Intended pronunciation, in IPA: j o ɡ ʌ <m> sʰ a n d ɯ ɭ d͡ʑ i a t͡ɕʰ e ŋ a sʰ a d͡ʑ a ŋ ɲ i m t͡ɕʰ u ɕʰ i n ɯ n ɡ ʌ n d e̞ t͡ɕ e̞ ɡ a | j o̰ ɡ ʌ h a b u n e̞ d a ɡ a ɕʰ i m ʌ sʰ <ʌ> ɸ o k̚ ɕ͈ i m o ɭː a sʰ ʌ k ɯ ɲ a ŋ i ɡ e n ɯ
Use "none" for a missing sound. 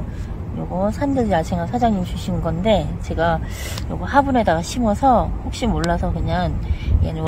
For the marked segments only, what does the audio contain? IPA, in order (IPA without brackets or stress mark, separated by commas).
none, ʌ